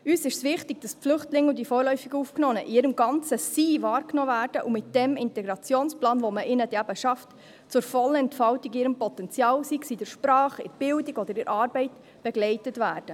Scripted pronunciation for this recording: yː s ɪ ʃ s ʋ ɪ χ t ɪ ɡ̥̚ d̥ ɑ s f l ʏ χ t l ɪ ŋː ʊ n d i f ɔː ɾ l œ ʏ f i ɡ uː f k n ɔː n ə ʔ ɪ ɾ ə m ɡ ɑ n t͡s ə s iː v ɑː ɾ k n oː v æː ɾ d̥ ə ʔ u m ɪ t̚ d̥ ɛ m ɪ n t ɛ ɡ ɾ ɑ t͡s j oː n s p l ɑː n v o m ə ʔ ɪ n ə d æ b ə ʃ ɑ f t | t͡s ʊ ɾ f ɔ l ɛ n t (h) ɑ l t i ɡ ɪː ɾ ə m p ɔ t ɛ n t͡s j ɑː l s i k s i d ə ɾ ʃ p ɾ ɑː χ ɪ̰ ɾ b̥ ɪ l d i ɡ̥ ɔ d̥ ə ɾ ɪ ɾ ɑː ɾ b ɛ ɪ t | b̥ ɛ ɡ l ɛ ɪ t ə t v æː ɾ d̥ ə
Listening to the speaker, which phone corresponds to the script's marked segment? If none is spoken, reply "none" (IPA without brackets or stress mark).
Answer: f